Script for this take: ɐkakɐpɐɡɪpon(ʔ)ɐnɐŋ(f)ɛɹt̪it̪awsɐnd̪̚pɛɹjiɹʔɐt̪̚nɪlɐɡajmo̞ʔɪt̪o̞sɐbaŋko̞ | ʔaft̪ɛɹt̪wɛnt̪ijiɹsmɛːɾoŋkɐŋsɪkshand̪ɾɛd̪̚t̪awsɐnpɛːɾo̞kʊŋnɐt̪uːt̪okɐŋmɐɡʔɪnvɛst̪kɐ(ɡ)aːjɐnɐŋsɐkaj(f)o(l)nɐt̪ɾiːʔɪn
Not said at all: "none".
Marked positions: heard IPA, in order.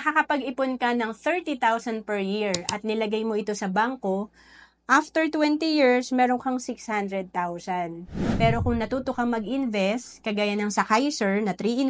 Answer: k, θ, ɡ, s, ɹ

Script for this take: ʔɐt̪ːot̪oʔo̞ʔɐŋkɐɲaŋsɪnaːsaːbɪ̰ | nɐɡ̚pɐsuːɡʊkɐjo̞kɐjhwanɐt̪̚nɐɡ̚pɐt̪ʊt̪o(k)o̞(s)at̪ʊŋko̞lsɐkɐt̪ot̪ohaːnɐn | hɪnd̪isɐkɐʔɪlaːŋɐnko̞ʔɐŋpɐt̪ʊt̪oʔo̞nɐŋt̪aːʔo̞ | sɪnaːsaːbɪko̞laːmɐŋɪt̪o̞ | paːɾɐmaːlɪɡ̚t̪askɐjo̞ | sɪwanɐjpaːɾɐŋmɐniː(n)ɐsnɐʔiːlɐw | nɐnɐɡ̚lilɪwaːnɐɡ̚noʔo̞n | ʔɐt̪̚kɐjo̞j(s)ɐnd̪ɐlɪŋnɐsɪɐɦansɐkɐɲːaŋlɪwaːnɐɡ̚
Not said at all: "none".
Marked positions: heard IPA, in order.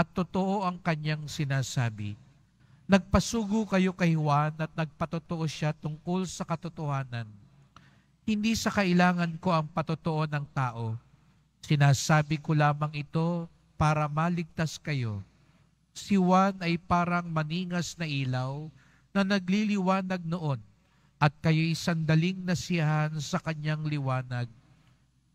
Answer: ʔ, ʃ, ŋ, s

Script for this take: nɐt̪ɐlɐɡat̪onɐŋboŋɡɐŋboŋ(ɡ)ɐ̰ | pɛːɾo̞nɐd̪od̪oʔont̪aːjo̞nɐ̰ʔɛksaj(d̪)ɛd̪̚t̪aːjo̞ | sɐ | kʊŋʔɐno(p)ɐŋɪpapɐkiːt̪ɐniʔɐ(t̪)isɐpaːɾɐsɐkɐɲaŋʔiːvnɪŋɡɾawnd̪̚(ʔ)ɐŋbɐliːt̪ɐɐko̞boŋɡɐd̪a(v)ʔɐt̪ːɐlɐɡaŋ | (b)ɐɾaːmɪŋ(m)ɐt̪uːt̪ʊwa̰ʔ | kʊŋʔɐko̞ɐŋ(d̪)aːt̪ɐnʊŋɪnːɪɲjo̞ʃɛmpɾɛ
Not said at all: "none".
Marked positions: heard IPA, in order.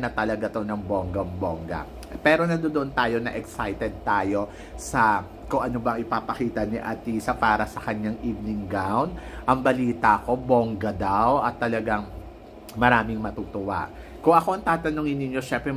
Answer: ɡ, t̪, b, t̪, ʔ, w, m, m, t̪

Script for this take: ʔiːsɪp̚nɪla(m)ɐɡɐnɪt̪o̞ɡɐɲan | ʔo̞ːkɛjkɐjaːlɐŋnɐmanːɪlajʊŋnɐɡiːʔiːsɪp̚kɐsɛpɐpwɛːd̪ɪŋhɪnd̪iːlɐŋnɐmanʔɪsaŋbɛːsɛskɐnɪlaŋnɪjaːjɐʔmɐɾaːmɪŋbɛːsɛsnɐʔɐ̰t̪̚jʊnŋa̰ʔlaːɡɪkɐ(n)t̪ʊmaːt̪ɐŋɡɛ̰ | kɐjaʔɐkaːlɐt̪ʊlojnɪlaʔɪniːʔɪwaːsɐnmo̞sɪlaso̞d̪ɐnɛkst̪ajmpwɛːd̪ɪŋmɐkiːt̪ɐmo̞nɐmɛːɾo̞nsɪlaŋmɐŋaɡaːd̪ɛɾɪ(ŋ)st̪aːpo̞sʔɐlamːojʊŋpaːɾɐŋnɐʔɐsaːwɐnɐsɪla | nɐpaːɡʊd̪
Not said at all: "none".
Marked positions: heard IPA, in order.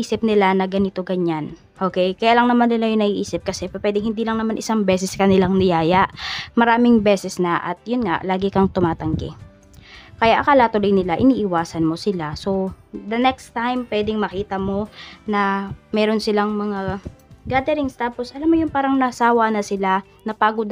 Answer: n, ŋ, ŋ

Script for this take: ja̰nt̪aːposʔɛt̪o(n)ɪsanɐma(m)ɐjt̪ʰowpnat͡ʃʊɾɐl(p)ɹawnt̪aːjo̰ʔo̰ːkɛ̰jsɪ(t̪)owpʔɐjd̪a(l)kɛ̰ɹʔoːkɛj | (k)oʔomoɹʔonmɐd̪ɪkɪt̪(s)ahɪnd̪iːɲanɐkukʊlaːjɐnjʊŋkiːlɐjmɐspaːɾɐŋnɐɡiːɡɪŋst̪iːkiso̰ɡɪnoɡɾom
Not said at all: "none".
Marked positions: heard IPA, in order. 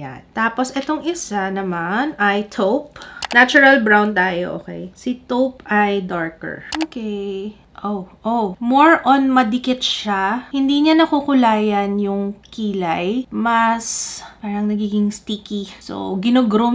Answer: ŋ, n, b, t̪, ɹ, ʔ, ʃ

